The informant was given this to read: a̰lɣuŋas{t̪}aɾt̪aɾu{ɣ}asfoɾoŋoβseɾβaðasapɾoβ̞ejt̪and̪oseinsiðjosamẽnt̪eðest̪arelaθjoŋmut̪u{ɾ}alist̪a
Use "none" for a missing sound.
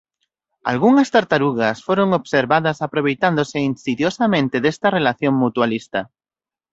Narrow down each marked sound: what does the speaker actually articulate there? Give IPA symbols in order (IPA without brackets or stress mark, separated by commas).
t̪, ɣ, none